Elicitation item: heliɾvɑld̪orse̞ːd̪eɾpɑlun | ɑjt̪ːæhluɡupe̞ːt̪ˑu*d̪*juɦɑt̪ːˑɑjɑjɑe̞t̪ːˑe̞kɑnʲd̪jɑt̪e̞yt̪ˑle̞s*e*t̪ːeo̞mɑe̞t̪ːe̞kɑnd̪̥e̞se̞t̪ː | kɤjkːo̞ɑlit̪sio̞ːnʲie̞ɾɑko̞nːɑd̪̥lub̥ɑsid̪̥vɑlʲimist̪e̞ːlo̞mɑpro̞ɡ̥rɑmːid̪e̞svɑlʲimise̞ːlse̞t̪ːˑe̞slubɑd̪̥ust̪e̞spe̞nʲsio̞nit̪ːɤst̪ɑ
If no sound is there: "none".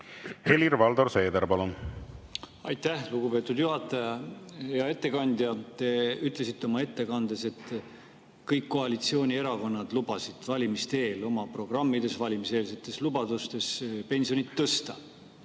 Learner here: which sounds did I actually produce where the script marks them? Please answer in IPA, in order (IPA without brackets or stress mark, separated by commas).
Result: d̪, i